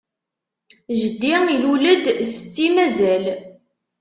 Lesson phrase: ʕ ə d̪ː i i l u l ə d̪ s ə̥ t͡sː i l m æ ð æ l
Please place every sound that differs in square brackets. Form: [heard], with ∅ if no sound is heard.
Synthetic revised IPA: [ʒ] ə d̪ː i i l u l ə d̪ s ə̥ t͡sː i [∅] m æ [z] æ l